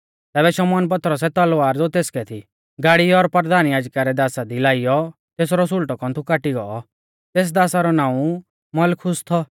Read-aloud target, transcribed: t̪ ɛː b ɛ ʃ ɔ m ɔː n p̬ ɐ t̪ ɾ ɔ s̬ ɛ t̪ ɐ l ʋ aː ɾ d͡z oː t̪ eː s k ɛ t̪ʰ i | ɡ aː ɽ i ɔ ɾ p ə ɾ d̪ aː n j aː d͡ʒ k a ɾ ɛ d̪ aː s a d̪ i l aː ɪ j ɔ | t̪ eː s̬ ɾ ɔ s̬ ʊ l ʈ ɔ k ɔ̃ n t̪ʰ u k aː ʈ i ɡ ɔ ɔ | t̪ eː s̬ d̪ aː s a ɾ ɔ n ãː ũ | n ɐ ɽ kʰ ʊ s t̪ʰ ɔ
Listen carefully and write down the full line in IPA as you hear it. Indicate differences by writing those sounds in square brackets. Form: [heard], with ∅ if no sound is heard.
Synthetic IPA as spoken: t̪ ɛː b ɛ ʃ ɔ m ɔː n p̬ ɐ t̪ ɾ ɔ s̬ ɛ t̪ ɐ l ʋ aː ɾ d͡z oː t̪ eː s k ɛ t̪ʰ i | ɡ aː ɽ i ɔ ɾ p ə ɾ d̪ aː n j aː d͡ʒ k a ɾ ɛ d̪ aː s a d̪ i l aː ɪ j ɔ | t̪ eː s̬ ɾ ɔ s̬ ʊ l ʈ ɔ k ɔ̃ n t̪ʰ u k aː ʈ i ɡ ɔ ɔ | t̪ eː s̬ d̪ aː s a ɾ ɔ n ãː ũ | [m] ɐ [l] kʰ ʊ s t̪ʰ ɔ